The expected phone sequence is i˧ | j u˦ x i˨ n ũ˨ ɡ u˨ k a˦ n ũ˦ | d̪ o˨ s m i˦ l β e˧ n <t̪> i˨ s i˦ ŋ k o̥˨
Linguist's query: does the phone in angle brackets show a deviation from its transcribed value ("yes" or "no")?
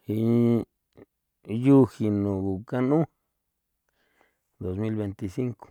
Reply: no